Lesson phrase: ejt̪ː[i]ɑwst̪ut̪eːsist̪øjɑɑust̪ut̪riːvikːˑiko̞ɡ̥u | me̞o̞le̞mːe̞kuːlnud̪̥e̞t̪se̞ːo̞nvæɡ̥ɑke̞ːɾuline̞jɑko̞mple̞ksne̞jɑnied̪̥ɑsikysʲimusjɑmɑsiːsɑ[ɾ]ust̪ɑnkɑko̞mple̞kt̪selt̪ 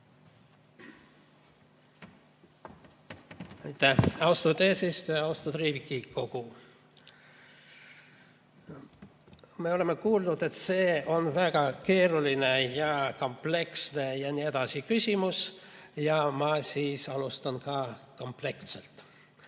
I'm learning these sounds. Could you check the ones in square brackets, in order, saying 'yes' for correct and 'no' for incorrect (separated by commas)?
no, no